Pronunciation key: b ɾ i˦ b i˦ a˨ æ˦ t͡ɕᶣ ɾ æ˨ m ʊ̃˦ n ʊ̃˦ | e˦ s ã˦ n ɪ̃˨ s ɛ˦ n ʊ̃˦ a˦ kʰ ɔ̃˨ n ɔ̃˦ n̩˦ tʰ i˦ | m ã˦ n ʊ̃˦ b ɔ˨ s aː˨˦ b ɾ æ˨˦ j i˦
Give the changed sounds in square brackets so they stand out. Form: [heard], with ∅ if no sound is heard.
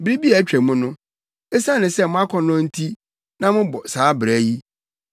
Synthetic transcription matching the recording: b ɾ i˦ b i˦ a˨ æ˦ t͡ɕᶣ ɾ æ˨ m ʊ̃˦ n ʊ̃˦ | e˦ s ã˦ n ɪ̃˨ s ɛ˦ [m] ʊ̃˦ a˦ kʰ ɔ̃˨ n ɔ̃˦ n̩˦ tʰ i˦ | [n] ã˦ [m] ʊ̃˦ b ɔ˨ s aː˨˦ b ɾ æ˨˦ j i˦